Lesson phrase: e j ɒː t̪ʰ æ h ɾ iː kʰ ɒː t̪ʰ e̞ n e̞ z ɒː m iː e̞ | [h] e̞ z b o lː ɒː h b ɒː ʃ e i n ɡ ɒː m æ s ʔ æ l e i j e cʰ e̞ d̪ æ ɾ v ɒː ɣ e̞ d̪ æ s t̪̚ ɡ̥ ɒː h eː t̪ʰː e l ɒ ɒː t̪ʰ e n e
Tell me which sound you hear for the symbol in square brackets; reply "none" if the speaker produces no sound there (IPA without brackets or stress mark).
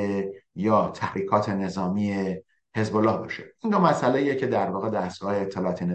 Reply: h